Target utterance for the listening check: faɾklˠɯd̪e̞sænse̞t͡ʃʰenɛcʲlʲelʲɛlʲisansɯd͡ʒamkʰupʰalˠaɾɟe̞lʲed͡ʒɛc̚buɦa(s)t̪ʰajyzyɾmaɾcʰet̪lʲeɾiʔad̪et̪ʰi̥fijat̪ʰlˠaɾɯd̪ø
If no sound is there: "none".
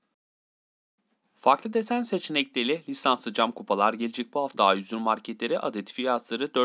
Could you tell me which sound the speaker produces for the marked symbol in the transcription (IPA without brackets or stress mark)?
f